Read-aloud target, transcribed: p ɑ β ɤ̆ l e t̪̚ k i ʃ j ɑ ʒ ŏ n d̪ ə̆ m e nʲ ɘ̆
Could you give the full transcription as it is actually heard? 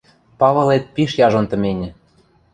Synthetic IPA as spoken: p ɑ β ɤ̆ l e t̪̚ p i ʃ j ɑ ʒ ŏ n t̪ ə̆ m e nʲ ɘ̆